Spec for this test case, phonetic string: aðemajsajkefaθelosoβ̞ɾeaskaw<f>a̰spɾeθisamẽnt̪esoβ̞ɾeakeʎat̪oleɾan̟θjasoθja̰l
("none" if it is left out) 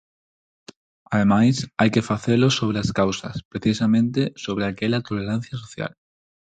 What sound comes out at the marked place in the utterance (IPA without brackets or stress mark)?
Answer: s